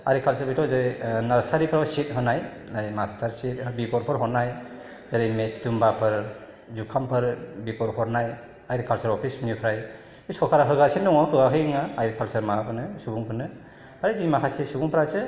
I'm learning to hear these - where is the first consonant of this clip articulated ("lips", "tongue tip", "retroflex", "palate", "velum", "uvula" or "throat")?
tongue tip